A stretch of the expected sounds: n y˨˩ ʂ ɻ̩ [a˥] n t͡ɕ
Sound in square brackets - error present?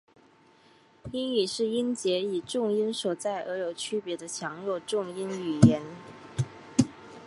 yes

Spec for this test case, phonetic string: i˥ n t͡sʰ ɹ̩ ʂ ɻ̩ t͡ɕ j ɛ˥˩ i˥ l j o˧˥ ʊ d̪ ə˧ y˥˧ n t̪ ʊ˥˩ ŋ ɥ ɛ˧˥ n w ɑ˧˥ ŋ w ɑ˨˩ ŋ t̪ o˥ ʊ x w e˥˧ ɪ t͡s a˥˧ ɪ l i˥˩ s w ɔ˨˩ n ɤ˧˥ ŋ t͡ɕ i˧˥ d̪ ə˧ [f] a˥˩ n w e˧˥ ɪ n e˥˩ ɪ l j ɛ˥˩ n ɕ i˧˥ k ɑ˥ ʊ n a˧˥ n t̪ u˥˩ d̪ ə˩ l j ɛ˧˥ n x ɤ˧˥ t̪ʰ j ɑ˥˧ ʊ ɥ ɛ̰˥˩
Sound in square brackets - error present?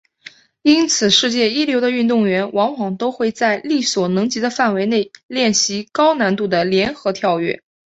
no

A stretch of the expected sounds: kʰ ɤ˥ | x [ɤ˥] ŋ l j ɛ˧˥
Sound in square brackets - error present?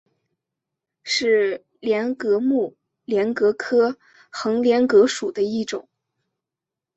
yes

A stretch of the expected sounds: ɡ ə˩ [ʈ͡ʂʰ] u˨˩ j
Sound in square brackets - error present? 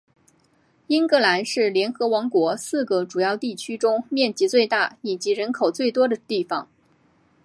yes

